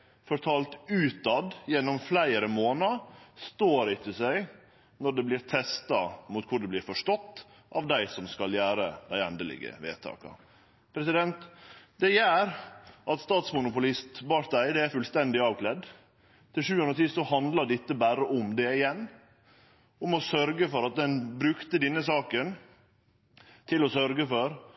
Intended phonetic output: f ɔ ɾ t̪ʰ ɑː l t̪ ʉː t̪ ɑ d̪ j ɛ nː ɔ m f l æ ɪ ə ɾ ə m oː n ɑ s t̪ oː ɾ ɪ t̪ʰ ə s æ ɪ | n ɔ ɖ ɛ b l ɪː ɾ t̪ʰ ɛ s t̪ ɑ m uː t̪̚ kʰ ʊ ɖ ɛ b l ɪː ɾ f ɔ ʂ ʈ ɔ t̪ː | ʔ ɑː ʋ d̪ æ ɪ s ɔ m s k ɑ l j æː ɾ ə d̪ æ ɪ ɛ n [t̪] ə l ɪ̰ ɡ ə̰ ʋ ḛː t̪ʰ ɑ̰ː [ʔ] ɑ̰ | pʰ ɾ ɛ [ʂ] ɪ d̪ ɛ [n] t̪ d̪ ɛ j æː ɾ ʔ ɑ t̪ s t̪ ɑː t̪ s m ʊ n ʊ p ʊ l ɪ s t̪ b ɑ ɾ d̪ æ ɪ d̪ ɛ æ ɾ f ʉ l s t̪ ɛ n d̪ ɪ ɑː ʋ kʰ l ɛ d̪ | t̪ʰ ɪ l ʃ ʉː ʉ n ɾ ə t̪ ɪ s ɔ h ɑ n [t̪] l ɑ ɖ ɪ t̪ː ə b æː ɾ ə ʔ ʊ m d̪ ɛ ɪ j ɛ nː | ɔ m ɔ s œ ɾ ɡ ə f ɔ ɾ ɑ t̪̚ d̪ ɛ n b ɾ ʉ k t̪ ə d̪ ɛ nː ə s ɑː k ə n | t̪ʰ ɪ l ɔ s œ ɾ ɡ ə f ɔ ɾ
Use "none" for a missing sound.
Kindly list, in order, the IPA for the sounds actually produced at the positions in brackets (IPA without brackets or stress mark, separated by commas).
d̪, k, s, n, d̪